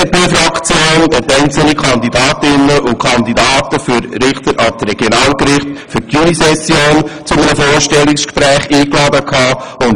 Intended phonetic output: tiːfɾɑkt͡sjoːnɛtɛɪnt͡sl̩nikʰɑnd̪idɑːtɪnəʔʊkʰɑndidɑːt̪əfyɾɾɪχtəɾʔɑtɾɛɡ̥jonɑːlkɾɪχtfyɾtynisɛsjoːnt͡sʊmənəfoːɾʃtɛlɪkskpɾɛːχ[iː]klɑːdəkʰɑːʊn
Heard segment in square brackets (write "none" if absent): iː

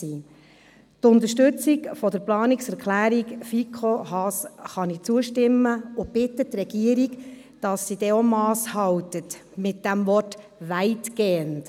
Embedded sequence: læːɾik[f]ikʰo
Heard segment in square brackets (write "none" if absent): f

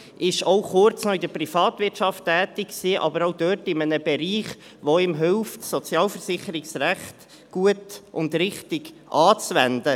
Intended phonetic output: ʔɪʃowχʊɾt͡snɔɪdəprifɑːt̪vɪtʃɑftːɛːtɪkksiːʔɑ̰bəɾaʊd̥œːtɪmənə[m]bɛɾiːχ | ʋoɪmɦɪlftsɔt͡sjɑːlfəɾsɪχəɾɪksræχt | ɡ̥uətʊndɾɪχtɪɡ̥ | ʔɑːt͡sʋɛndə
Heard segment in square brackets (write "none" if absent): none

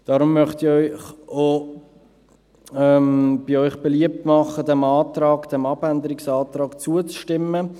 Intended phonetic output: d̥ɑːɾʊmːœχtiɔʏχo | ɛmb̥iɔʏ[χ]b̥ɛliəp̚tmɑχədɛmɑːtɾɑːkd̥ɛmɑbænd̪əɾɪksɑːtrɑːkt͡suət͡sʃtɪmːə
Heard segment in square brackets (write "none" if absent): χ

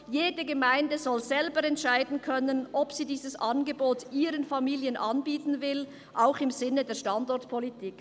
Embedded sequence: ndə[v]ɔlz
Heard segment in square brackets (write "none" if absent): z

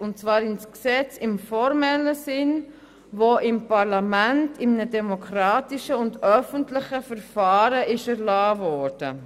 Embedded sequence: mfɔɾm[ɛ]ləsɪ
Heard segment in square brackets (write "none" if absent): ɛ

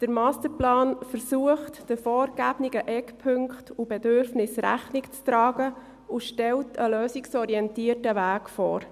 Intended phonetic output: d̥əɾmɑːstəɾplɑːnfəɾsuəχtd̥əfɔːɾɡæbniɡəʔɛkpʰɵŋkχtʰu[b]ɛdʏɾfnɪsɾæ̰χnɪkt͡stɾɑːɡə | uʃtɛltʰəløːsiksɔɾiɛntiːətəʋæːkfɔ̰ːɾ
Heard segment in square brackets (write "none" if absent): b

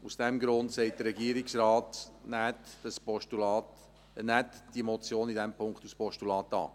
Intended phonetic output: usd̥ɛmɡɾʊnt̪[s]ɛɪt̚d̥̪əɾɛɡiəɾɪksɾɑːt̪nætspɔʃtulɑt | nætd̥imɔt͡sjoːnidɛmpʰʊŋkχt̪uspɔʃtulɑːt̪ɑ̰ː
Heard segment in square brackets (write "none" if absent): s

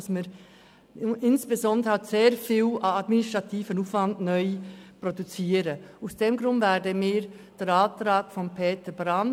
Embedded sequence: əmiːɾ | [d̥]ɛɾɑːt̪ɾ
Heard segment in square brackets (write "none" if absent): d̥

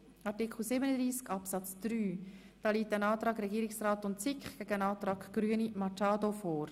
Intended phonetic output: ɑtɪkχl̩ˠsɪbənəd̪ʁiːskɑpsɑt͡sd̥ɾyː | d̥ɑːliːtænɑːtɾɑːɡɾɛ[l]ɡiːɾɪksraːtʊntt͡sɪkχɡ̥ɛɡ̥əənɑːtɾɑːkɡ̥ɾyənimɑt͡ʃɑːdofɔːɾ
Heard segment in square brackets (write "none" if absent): none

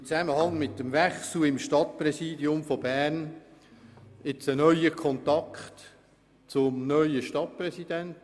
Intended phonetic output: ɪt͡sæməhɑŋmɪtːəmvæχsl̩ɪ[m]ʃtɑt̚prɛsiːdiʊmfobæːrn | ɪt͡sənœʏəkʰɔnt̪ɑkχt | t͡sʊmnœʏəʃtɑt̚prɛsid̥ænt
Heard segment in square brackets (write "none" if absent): m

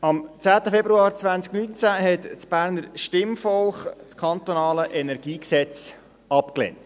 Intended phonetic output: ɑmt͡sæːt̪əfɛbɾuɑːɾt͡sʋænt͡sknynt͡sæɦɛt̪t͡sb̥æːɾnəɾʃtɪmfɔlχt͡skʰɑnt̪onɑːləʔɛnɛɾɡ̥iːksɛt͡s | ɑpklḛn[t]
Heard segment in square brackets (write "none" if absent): t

